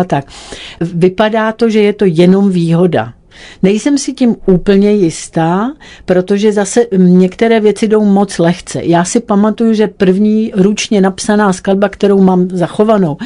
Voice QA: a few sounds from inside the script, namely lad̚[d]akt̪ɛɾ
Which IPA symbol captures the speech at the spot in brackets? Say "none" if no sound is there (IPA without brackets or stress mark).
b